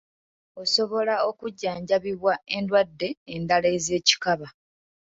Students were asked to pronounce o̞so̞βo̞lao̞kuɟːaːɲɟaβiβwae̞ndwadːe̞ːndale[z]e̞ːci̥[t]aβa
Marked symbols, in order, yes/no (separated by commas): yes, no